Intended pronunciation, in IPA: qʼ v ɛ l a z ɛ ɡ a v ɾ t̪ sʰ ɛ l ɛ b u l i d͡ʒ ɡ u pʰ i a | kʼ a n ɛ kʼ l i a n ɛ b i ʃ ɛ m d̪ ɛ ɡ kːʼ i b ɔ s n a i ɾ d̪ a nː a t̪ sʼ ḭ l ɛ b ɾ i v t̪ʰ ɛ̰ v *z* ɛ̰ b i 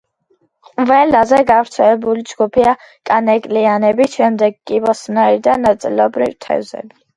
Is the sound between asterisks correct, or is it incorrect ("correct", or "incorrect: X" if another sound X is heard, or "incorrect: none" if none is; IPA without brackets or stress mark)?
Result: correct